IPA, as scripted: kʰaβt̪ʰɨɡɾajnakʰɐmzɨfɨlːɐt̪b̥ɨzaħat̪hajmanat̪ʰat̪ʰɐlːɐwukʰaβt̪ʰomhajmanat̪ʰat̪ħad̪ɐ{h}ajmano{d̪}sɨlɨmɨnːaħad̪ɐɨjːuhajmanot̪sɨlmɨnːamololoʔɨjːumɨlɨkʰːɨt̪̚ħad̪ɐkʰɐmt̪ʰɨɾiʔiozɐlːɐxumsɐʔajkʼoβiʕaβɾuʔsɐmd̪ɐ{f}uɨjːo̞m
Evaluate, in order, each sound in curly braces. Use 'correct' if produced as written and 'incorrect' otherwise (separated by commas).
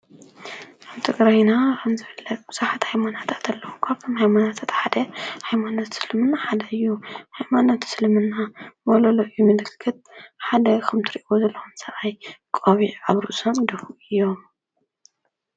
correct, incorrect, correct